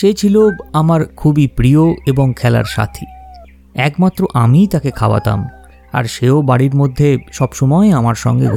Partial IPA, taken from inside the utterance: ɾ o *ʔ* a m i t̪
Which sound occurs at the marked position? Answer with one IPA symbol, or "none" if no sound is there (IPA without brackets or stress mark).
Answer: ʔ